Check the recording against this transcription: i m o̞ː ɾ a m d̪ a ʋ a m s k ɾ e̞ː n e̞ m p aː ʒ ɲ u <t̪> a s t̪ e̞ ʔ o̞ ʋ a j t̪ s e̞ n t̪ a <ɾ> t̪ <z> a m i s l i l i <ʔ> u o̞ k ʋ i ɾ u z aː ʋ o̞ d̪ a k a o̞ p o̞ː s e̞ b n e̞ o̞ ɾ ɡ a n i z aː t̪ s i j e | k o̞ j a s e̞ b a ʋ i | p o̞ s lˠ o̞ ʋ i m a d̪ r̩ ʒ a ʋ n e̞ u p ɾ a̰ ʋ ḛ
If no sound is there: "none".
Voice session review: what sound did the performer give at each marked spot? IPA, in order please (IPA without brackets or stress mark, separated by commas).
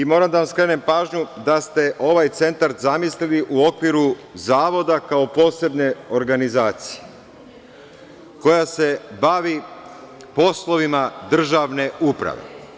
d̪, ɾ, z, ʔ